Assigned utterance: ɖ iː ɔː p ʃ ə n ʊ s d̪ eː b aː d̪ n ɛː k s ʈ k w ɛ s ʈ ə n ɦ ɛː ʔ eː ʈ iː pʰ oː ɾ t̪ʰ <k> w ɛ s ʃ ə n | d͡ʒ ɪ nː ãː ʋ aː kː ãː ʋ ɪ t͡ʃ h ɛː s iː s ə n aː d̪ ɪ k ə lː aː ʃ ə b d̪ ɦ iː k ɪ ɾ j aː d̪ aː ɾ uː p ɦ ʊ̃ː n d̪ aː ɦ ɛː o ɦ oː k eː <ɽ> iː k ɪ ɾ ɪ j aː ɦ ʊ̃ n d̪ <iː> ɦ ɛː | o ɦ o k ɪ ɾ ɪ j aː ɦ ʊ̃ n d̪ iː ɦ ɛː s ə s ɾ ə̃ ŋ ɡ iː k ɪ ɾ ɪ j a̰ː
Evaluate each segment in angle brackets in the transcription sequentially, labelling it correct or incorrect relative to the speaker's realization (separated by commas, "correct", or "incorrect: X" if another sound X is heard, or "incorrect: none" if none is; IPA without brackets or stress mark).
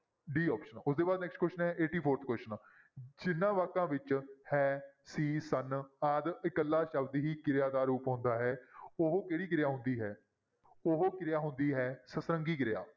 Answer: correct, correct, correct